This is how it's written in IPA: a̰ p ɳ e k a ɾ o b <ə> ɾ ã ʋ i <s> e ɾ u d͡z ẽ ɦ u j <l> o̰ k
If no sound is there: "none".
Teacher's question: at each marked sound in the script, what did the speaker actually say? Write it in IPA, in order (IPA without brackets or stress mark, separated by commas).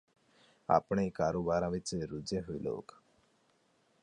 a, t͡s, l